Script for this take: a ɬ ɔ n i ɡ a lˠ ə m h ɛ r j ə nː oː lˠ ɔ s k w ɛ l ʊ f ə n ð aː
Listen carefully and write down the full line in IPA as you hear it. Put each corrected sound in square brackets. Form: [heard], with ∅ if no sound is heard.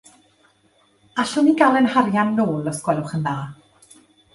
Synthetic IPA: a ɬ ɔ n i ɡ a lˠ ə [n] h [a] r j [a] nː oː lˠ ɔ s k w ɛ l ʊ [χ] ə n ð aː